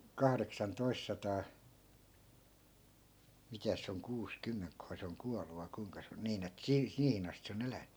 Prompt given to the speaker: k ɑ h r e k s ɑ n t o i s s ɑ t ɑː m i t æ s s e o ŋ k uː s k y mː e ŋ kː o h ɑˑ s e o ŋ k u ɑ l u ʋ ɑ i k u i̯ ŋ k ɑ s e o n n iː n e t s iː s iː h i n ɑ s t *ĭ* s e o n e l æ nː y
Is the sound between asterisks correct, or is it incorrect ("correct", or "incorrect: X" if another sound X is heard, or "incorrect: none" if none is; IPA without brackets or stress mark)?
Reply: correct